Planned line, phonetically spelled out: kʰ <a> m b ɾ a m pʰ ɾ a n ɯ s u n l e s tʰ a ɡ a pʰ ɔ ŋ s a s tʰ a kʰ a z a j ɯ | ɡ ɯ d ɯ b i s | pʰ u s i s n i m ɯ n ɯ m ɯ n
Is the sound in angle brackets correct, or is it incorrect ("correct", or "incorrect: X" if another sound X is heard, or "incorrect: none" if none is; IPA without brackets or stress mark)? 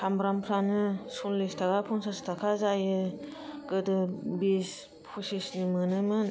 correct